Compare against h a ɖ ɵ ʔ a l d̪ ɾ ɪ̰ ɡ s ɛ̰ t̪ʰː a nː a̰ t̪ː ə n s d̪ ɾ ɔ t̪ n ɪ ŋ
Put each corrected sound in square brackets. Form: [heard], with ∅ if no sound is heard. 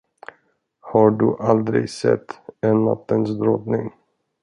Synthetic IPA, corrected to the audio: h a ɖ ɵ ʔ a l d̪ ɾ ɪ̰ ɡ s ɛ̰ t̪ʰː [ɛ] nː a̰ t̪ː ə n s d̪ ɾ ɔ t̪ n ɪ ŋ